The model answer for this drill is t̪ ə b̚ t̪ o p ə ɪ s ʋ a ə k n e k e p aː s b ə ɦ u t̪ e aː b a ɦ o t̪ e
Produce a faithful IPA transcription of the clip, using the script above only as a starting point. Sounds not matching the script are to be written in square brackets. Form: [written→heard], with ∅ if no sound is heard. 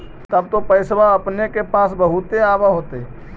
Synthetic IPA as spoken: t̪ ə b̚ t̪ o p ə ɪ s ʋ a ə [k→p] n e k e p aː s b ə ɦ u t̪ e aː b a ɦ o t̪ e